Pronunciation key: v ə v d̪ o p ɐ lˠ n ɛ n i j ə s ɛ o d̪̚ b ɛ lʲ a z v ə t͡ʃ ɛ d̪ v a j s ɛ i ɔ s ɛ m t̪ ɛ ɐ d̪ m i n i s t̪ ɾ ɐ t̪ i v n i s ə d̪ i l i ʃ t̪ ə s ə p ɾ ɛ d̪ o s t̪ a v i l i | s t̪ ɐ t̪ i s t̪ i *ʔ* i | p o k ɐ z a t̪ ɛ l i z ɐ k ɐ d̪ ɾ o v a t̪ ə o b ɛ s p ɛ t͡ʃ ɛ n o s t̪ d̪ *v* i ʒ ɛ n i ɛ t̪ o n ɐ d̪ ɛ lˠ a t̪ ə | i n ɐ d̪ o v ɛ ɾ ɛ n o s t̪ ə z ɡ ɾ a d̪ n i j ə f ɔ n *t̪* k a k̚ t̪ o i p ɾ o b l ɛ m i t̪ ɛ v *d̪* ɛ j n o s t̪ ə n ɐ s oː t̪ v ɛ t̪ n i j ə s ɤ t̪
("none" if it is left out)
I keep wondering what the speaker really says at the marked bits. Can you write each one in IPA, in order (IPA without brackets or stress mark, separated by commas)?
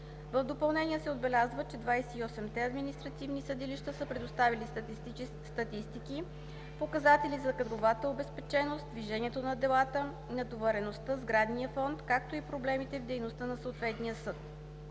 k, v, t̪, d̪